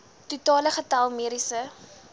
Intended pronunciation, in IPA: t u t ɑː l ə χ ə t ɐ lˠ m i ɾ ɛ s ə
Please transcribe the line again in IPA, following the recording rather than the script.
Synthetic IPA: t u t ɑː l ə χ ə t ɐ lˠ m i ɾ i s ə